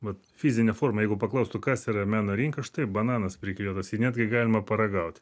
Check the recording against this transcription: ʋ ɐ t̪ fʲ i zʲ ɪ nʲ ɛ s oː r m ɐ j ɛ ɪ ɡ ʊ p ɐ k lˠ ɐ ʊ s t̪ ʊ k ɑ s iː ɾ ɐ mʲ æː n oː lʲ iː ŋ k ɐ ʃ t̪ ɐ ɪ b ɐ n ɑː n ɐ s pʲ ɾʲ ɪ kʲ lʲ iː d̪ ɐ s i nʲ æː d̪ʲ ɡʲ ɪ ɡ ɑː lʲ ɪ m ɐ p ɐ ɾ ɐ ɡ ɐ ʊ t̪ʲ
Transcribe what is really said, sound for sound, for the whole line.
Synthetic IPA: ʋ ɐ t̪ fʲ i zʲ ɪ nʲ ɛ f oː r m ɐ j ɛ ɪ ɡ ʊ p ɐ k lˠ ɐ ʊ s t̪ ʊ k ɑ s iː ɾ ɐ mʲ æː n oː ɾʲ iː ŋ k ɐ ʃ t̪ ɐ ɪ b ɐ n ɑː n ɐ s pʲ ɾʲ ɪ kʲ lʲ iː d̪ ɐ s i nʲ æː d̪ʲ ɡʲ ɪ ɡ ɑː lʲ ɪ m ɐ p ɐ ɾ ɐ ɡ ɐ ʊ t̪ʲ